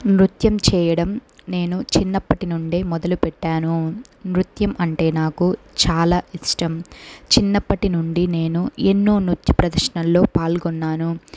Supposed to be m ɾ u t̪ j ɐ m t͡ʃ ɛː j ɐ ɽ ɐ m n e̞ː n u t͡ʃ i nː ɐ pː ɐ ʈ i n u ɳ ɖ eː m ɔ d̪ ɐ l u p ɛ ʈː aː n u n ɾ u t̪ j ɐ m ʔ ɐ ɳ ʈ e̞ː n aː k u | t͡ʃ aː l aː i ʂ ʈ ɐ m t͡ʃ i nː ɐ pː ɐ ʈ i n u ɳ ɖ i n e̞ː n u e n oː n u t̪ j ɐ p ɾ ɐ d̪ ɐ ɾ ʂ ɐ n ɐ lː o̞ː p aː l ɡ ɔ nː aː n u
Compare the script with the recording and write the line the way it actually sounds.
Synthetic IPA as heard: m ɾ u t̪ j ɐ m t͡ʃ ɛː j ɐ ɽ ɐ m n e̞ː n u t͡ʃ i nː ɐ pː ɐ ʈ i n u ɳ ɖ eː m ɔ d̪ ɐ l u p ɛ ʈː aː n u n ɾ u t̪ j ɐ m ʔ ɐ ɳ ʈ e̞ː n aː k u | t͡ʃ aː l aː i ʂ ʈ ɐ m t͡ʃ i nː ɐ pː ɐ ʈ i n u ɳ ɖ i n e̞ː n u e nː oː n u t̪ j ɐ p ɾ ɐ d̪ ɐ ɾ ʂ ɐ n ɐ lː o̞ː p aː l ɡ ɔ nː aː n u